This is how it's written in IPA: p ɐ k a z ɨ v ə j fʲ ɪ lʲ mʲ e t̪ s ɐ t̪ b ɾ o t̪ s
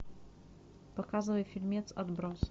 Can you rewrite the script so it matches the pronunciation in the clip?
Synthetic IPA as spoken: p ɐ k a z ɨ v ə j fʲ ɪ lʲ mʲ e t̪ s ɐ d̪ b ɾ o s